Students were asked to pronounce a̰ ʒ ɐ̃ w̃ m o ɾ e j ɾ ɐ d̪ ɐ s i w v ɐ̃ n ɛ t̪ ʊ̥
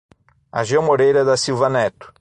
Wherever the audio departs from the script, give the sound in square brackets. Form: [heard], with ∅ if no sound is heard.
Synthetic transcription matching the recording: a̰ ʒ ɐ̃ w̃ m o ɾ e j ɾ ɐ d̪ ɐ s i w v [ɐ] n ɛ t̪ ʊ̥